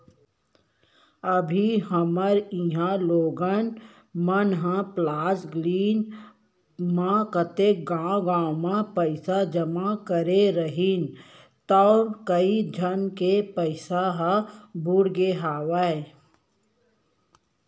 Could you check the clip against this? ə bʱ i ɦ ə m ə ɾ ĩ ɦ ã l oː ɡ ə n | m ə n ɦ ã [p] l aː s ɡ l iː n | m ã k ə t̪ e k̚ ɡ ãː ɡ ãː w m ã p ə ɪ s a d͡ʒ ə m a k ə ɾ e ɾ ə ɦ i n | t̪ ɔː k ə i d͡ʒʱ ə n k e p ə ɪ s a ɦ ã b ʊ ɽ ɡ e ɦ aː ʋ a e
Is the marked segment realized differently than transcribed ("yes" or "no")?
no